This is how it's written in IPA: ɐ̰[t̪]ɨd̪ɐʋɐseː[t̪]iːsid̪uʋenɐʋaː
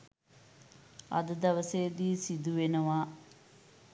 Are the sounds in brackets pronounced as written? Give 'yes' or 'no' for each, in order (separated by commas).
no, no